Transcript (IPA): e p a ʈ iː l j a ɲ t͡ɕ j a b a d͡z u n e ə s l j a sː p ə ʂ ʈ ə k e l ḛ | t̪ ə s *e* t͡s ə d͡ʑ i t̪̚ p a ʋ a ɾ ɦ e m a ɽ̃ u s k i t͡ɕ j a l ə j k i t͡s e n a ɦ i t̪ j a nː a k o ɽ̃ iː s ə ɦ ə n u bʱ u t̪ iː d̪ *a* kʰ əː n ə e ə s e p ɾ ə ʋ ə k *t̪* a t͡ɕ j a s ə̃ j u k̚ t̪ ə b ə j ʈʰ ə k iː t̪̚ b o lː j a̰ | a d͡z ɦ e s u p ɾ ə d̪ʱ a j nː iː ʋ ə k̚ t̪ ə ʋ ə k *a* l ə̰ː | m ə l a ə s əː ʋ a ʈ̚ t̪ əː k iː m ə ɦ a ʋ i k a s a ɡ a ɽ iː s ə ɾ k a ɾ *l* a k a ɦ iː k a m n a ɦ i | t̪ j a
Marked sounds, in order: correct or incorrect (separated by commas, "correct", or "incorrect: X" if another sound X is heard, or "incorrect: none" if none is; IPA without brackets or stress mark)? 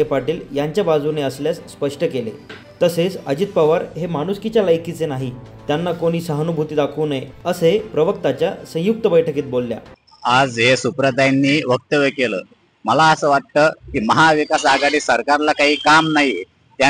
correct, correct, correct, incorrect: e, correct